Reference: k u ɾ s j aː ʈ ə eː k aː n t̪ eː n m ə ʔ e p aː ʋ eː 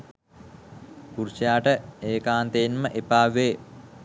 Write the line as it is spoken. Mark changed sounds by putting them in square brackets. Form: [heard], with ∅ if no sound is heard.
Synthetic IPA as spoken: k u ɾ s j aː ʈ ə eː k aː n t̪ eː n m ə ʔ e p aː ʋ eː

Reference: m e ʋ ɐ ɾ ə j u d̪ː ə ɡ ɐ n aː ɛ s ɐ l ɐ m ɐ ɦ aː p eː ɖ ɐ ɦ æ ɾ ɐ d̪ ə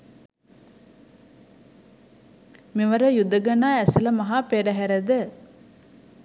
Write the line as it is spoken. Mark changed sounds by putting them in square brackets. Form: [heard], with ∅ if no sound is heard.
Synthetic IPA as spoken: m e ʋ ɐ ɾ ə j u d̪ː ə ɡ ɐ n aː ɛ s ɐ l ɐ m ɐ ɦ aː p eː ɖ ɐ ɦ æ ɾ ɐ d̪ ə

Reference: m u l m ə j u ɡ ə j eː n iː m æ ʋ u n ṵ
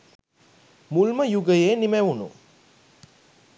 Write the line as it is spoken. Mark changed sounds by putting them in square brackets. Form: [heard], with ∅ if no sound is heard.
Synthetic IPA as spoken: m u l m ə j u ɡ ə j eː n [i] m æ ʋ u n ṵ

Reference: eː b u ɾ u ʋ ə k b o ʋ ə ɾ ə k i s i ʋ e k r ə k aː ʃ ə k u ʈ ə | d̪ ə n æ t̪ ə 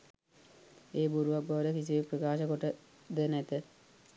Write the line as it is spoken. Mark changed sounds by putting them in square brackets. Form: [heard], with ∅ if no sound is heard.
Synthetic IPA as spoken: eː b u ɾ u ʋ [a] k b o ʋ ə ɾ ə k i s i ʋ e [p] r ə k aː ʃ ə k [o] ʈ ə | d̪ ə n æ t̪ ə

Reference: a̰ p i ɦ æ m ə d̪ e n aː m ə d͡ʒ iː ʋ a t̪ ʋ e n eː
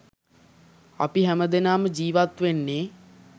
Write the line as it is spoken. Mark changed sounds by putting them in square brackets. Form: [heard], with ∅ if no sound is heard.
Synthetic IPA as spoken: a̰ p i ɦ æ m ə d̪ e n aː m ə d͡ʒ iː ʋ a t̪ ʋ e [nː] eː

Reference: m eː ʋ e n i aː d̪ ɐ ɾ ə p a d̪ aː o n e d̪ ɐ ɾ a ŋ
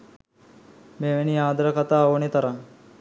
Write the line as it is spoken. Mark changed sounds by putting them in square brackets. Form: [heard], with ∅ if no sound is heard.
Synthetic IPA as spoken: m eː ʋ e n i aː d̪ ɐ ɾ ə [k] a [t̪] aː o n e [t̪] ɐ ɾ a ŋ

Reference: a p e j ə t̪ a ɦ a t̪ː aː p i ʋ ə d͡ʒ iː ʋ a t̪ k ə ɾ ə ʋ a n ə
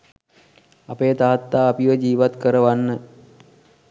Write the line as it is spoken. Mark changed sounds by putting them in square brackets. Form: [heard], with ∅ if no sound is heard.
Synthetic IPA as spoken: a p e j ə t̪ a ɦ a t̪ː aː p i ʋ ə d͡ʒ iː ʋ a t̪ k ə ɾ ə ʋ a [nː] ə

